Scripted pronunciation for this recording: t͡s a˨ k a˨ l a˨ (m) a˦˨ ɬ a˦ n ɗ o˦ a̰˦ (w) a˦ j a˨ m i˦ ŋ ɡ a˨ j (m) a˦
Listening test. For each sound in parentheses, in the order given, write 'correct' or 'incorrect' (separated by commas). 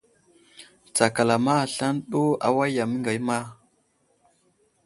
correct, correct, correct